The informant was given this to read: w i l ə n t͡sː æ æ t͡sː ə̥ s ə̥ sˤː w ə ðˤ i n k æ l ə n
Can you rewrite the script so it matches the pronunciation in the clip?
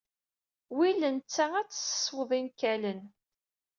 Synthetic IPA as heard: w i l ə n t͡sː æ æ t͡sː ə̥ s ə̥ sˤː w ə ðˤ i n k æ l ə n

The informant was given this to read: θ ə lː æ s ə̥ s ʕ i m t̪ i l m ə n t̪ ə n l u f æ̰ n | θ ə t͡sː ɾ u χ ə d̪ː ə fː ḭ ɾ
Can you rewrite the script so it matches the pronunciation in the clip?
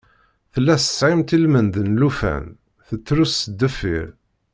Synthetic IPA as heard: θ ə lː æ s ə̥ s ʕ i m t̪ i l m ə n d̪ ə n l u f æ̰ n | θ ə t͡sː ɾ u s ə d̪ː ə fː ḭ ɾ

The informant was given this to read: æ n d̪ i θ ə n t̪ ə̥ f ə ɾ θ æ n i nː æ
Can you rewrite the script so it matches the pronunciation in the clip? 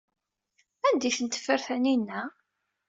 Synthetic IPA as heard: æ n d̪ i θ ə n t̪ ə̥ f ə ɾ θ æ n i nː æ

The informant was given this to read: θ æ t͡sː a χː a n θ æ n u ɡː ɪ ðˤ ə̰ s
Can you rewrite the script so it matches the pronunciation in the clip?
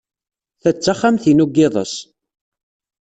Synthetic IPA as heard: θ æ t͡sː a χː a m θ i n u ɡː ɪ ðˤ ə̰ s

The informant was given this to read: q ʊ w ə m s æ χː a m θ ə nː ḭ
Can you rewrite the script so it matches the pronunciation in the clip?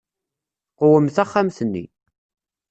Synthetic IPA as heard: q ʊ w ə m θ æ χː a m θ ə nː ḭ

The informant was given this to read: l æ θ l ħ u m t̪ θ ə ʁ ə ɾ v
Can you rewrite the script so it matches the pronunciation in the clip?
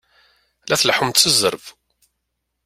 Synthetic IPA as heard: l æ θ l ħ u m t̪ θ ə z ə ɾ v

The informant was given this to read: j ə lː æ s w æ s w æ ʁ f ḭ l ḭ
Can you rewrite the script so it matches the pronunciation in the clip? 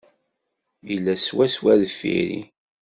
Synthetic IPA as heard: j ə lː æ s w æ s w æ ð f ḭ ɾ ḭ

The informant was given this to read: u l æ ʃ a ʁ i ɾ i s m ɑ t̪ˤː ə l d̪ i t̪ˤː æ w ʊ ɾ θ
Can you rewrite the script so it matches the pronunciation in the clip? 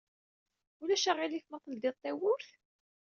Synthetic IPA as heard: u l æ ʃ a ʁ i l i θ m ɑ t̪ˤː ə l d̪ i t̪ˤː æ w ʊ ɾ θ

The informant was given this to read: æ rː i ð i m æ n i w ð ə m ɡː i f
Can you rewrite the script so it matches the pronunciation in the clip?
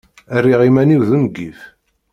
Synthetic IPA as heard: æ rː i ʁ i m æ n i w ð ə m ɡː i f

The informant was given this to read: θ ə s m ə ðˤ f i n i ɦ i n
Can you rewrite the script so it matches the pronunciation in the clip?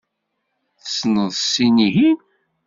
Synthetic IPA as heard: θ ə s n ə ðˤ s i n i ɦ i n

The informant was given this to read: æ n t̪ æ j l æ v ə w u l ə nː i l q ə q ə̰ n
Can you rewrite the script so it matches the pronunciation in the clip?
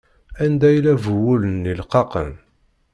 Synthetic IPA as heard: æ n d̪ æ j l æ v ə w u l ə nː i l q ɑ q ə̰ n

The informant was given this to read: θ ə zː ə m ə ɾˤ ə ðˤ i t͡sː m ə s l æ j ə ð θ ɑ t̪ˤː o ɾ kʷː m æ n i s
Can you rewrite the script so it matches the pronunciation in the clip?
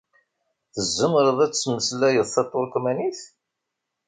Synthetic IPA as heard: θ ə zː ə m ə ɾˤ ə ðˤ æ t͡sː m ə s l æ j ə ð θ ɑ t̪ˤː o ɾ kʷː m æ n i θ

